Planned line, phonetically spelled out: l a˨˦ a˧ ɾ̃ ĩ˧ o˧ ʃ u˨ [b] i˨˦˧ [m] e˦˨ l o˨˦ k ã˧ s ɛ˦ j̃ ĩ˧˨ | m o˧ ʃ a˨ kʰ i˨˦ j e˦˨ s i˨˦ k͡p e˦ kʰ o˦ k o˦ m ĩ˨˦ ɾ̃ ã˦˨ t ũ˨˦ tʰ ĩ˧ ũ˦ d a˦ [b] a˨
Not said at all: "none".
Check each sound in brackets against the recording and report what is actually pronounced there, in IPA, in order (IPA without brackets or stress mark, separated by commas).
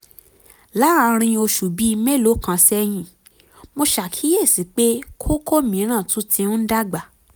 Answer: b, m, ɡ͡b